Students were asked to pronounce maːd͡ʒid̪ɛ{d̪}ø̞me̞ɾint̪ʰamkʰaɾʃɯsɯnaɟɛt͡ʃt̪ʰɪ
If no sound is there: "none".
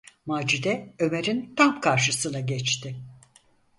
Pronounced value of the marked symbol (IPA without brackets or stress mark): none